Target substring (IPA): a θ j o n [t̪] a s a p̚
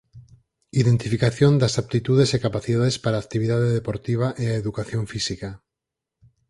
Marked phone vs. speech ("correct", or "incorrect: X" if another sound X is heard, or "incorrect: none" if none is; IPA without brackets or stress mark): incorrect: d̪